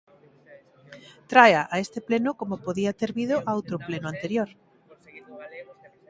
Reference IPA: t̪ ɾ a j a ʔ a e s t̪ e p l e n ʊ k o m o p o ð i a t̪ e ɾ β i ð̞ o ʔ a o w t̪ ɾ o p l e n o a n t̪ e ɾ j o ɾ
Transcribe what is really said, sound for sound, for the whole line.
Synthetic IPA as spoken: t̪ ɾ a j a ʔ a e s t̪ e p l e n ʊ k o m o p o ð i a t̪ e ɾ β i ð̞ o ʔ a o w t̪ ɾ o p l e n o a n t̪ e ɾ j o ɾ